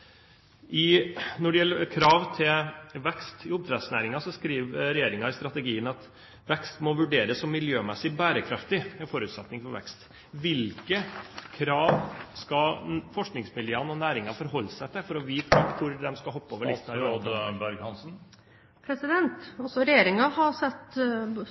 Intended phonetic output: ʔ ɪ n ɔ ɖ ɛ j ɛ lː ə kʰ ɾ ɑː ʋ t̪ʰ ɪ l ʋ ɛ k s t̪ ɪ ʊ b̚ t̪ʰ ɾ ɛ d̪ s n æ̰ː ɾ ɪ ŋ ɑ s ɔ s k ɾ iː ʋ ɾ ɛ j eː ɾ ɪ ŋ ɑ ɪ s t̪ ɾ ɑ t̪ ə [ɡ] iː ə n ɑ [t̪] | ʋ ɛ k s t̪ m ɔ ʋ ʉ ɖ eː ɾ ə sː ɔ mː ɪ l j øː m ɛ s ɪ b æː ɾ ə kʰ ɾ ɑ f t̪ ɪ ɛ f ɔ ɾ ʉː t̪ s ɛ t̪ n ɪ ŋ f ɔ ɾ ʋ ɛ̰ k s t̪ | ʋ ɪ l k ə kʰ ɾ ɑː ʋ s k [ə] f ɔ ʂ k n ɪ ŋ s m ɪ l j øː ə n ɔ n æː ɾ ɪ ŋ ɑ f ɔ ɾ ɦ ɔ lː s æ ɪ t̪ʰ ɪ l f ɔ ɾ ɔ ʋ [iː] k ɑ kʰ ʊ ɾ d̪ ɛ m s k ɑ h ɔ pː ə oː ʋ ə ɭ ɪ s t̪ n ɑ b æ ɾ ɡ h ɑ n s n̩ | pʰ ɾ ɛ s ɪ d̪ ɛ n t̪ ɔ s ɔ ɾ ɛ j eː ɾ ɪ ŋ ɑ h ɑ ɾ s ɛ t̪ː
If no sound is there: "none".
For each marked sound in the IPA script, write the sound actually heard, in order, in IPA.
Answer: ɡ, t̪, ɑ, iː

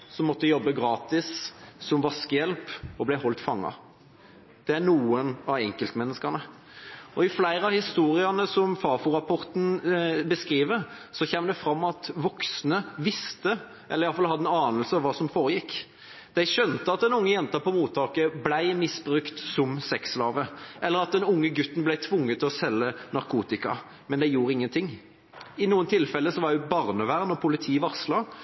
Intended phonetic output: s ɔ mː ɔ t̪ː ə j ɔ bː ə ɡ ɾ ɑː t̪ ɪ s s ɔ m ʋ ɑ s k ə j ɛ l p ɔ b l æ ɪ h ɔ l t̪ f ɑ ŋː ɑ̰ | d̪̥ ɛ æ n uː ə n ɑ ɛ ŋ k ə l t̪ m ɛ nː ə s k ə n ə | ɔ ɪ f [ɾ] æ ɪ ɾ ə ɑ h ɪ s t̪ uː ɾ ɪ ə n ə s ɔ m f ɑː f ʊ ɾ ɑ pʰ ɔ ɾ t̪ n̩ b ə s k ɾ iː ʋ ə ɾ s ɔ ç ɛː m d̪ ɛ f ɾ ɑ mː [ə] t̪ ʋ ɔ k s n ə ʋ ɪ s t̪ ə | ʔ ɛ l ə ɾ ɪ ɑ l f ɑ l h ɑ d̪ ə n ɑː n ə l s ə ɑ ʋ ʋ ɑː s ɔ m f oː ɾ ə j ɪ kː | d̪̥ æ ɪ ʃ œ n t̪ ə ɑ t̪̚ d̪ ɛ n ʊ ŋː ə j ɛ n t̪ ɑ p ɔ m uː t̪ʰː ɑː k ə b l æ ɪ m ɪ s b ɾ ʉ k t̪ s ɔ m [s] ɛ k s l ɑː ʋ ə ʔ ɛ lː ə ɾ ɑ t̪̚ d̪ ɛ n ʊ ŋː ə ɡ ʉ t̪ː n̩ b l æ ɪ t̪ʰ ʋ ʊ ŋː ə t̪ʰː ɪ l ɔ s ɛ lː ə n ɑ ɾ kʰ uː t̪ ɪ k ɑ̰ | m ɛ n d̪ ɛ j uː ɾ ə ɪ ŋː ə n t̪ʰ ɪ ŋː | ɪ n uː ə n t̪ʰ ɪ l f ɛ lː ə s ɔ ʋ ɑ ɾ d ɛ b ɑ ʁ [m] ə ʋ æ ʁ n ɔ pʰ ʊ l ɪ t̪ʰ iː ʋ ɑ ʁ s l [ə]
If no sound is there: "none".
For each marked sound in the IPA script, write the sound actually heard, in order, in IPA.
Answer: l, ɑ, s, n, ɑ

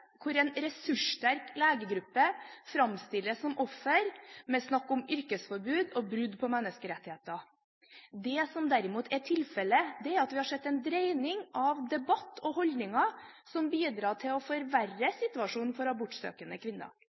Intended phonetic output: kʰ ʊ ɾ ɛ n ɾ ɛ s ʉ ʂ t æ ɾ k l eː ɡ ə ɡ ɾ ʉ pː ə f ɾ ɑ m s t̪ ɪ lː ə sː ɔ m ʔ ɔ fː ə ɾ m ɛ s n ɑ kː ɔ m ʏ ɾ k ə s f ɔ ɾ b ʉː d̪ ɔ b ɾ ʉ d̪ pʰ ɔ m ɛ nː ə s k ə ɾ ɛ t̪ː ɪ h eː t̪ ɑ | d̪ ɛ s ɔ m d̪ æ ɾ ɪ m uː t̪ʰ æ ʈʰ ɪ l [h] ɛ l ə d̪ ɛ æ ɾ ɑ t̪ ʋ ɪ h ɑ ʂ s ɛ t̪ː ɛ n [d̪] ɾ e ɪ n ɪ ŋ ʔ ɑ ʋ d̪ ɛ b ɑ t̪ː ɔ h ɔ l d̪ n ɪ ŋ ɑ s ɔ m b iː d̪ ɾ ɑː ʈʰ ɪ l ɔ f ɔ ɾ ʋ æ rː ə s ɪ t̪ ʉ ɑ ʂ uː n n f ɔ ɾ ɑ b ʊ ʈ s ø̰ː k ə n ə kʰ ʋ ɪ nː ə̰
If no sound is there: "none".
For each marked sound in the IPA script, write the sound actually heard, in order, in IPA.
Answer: f, d̪

